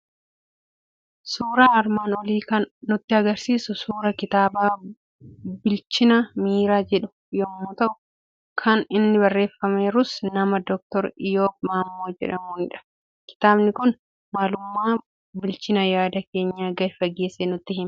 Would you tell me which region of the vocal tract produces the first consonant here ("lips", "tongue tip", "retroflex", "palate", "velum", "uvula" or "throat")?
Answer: tongue tip